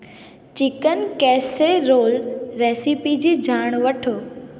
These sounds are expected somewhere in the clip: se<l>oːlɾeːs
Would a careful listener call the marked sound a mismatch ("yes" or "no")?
yes